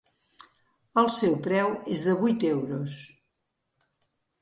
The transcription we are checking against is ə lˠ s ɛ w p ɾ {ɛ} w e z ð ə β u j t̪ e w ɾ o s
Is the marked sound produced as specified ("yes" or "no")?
yes